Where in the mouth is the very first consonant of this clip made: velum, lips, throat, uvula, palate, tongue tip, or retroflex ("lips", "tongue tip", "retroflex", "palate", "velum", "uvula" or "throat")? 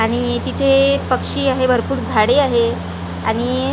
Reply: retroflex